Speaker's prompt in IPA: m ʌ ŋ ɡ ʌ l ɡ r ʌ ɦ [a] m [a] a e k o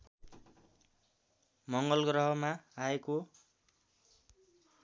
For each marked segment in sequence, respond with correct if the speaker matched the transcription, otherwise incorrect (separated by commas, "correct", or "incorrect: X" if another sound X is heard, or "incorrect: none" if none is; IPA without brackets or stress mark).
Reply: incorrect: ʌ, correct